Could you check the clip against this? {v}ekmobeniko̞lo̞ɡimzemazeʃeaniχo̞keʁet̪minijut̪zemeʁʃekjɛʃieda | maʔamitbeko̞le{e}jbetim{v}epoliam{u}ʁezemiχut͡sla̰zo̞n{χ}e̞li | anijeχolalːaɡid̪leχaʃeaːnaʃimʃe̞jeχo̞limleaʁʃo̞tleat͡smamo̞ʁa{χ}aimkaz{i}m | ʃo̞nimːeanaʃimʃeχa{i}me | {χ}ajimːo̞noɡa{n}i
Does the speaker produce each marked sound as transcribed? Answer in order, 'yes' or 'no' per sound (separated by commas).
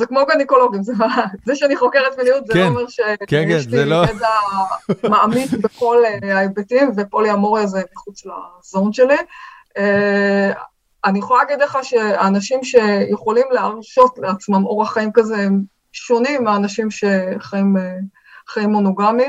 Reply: no, no, yes, no, no, yes, no, yes, yes, no